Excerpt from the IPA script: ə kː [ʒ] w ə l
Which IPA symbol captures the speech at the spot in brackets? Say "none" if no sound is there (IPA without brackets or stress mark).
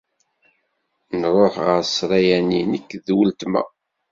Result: ð